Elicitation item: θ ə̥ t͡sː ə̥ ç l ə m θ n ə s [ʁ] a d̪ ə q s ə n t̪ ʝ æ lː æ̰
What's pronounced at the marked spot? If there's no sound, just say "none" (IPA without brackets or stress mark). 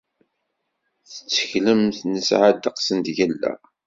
ʕ